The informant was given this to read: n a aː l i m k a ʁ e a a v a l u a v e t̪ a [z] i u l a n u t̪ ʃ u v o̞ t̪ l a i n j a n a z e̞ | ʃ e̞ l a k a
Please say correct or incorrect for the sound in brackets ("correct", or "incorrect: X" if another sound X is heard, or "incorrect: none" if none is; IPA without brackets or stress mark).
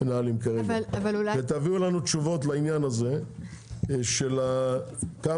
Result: incorrect: v